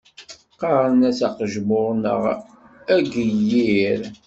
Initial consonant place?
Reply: uvular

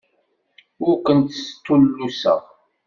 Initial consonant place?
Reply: alveolar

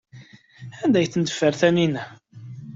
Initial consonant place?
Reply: alveolar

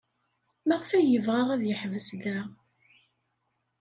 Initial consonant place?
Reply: labial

